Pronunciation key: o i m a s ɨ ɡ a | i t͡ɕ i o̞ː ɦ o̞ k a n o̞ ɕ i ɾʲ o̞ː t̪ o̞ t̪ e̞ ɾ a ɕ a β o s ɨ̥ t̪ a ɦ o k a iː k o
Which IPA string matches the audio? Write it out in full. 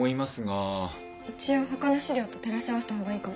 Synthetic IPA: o i m a s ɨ ɡ a | i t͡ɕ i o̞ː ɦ o̞ k a n o̞ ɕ i ɾʲ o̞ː t̪ o̞ t̪ e̞ ɾ a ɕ a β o s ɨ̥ t̪ a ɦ o ɡ a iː k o